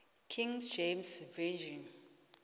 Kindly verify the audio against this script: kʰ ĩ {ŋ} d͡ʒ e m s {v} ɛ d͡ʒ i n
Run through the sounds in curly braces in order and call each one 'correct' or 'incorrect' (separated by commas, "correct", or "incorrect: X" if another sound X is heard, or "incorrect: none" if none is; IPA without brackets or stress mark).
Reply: correct, correct